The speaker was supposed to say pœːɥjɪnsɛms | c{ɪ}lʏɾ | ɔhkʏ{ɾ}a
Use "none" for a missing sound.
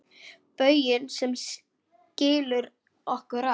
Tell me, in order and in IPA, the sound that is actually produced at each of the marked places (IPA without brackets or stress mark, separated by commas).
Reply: ɪː, ɾ